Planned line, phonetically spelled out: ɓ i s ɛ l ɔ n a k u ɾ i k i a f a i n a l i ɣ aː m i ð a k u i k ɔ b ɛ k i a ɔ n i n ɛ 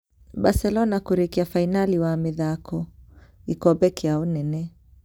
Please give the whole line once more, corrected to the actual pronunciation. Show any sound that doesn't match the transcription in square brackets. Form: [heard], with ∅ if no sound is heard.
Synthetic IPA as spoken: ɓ [a] s ɛ l ɔ n a k u ɾ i k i a f a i n a l i [w] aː m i ð a k [ɔ] i k ɔ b ɛ k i a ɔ n [ɛ] n ɛ